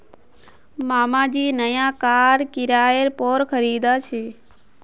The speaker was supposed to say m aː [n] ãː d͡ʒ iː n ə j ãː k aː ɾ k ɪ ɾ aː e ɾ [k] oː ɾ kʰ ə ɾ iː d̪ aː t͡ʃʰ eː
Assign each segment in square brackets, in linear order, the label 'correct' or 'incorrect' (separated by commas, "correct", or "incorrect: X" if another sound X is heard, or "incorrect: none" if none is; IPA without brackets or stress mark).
incorrect: m, incorrect: p